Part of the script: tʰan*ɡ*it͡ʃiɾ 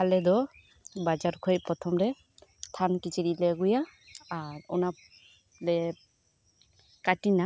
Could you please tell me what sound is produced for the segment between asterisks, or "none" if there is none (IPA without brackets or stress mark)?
k